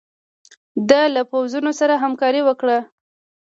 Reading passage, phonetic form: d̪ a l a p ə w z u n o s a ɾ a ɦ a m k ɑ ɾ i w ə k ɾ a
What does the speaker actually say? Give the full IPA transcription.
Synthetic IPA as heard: d̪ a l a p a w z u n o s a ɾ a ɦ a m k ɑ ɾ i w ə k ɽ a